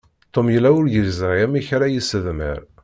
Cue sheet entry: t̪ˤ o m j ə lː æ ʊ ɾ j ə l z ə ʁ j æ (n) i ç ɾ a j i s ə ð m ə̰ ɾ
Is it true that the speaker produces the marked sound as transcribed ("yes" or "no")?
no